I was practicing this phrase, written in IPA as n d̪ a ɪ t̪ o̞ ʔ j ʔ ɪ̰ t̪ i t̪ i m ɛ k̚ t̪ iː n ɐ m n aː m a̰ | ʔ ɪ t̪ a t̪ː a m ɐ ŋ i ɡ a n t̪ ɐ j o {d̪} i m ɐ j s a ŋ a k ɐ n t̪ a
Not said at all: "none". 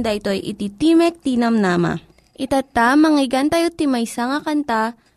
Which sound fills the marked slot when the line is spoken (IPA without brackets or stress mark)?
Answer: t̪